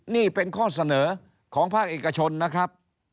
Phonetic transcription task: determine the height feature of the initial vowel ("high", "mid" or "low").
high